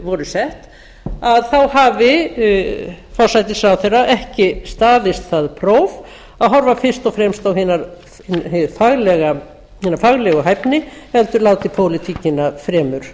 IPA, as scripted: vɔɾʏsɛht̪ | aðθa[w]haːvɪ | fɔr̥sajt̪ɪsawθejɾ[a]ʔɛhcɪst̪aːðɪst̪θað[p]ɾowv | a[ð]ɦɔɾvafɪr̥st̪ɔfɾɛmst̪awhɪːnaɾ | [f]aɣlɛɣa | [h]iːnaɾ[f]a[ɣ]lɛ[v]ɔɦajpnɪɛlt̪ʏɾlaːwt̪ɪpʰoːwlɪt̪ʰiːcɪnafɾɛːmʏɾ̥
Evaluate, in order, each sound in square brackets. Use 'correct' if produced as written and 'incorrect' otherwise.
correct, correct, incorrect, correct, correct, correct, correct, correct, incorrect

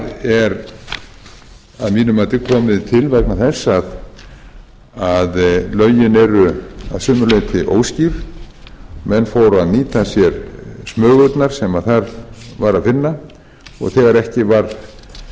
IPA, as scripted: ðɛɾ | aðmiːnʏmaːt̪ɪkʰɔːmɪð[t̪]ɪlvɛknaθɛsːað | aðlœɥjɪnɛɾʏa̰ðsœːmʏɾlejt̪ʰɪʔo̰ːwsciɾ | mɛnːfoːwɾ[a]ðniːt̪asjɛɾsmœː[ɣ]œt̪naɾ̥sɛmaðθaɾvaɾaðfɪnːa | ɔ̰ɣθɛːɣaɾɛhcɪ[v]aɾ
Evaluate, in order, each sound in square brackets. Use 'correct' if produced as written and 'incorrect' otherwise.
incorrect, correct, correct, correct

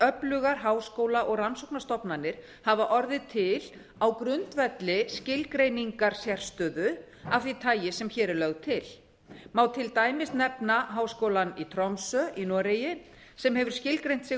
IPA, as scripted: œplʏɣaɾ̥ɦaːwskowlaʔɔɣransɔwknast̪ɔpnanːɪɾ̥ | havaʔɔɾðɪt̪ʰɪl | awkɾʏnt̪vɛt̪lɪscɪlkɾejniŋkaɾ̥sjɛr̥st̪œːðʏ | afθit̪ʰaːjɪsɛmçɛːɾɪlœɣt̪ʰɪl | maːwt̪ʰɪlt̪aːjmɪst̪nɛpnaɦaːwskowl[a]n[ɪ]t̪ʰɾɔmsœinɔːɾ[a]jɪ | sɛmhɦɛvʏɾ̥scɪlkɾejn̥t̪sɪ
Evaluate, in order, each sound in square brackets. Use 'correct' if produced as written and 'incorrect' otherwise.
correct, incorrect, incorrect

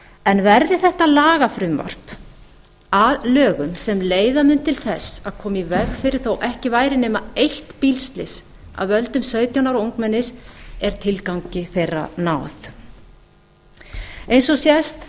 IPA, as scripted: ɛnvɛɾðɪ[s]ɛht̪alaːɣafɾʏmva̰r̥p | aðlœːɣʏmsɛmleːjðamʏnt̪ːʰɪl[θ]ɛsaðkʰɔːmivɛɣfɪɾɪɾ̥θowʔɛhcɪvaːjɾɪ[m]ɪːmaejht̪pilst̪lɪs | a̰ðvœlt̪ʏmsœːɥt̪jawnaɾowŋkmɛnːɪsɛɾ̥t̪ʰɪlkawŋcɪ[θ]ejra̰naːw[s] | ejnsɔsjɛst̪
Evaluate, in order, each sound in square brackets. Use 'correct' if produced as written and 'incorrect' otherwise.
incorrect, correct, incorrect, correct, incorrect

